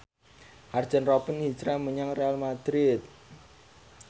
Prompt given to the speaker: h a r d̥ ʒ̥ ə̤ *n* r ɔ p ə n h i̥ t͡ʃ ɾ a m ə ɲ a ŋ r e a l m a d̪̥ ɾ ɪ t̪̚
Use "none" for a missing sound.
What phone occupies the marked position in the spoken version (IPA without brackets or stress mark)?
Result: n